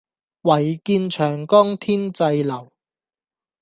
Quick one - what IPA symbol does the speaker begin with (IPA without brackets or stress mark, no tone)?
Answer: w